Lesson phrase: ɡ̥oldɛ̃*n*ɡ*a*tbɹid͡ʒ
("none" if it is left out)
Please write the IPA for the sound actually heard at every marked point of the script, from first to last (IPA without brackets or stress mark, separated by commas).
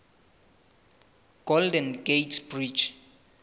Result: n, e